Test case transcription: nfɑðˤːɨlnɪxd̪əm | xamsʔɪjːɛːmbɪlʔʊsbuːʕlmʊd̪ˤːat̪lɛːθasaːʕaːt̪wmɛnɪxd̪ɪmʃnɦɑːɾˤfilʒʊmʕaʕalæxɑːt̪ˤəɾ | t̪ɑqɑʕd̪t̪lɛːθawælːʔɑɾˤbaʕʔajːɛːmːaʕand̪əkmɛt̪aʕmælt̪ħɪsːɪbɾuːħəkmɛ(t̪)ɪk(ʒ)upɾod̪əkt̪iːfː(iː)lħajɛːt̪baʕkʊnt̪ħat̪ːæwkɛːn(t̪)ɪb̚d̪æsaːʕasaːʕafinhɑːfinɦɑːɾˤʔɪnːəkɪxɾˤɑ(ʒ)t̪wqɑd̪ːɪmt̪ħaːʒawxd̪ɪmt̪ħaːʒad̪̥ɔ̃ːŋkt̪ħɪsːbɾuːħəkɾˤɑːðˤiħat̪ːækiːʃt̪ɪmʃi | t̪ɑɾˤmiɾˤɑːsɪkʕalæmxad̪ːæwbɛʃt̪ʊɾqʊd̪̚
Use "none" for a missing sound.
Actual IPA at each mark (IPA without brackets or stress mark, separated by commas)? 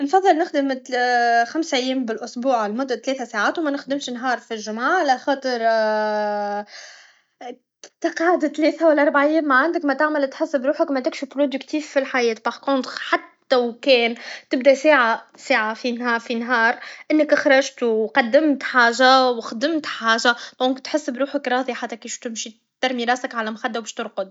t̪, ʃ, i, t̪, ʒ